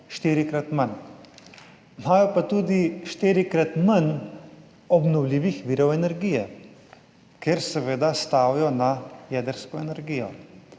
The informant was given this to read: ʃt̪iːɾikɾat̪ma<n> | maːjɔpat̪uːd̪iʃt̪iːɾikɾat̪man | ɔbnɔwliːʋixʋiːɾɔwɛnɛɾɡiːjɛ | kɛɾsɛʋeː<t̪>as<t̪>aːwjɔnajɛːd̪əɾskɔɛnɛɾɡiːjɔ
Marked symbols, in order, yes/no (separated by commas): yes, no, yes